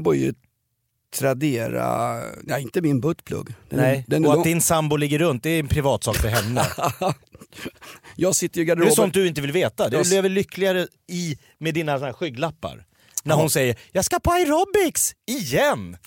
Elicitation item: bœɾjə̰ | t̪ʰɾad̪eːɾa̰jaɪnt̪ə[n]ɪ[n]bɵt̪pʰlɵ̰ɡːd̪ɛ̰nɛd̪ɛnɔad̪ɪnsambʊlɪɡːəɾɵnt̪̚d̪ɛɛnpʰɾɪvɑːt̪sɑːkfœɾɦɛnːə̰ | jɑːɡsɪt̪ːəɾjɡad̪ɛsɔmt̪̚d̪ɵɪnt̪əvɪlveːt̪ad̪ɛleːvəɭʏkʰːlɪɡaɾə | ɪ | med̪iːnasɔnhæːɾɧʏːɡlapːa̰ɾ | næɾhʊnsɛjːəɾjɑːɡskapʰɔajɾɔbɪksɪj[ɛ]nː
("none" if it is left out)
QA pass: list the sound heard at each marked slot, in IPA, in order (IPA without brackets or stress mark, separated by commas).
m, n, ɛ